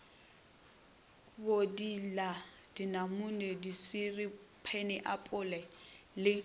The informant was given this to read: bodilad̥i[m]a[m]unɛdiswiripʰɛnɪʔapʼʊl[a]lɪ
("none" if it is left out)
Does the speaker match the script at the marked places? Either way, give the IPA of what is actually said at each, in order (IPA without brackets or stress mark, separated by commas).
n, m, ɛ